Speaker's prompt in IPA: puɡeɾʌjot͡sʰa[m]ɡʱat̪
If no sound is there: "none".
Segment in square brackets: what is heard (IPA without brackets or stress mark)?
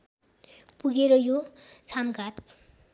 m